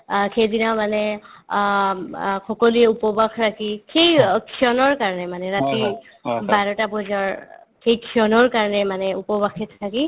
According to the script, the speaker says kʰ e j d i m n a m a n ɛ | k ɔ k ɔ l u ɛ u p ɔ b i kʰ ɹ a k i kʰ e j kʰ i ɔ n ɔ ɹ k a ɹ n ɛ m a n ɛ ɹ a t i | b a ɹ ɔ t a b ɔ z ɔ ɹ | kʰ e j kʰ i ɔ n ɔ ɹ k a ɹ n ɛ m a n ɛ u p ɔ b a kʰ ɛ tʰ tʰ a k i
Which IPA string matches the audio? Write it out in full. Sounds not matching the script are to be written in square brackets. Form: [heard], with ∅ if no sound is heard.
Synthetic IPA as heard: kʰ e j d i [∅] n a m a n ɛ | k ɔ k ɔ l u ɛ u p ɔ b [a] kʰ ɹ a k i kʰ e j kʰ i ɔ n ɔ ɹ k a ɹ n ɛ m a n ɛ ɹ a t i | b a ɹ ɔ t a b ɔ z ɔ ɹ | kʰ e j kʰ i ɔ n ɔ ɹ k a ɹ n ɛ m a n ɛ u p ɔ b a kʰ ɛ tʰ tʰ a k i